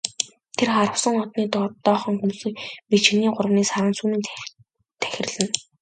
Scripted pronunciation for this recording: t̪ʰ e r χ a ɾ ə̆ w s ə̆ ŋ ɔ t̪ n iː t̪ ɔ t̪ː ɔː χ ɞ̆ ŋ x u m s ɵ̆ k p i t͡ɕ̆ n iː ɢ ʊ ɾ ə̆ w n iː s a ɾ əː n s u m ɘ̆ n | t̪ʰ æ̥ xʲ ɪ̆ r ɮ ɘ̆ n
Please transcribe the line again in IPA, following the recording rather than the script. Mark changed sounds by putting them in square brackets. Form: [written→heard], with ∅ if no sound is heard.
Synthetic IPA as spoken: t̪ʰ e r χ a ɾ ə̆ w s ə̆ ŋ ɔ t̪ n iː t̪ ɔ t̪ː ɔː χ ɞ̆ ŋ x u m s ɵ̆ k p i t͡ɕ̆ n iː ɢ ʊ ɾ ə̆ w n iː s a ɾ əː n s u m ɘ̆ n | t̪ʰ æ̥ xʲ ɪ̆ r ɮ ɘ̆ n